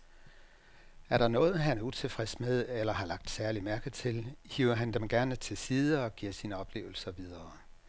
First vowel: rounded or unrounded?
unrounded